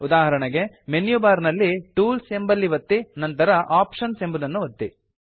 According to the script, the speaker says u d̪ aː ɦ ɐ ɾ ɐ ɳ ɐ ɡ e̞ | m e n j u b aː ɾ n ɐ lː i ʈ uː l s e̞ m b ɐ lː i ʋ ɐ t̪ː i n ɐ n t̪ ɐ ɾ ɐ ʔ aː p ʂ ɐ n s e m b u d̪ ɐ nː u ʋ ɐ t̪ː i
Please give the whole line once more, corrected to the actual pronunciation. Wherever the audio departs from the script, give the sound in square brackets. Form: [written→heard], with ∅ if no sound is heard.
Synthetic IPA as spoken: u d̪ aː ɦ ɐ ɾ ɐ ɳ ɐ ɡ e̞ | m e n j u b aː ɾ n ɐ lː i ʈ uː l s e̞ m b ɐ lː i ʋ ɐ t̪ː i n ɐ n t̪ ɐ ɾ ɐ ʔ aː p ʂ ɐ n s e m b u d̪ ɐ nː u ʋ ɐ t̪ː i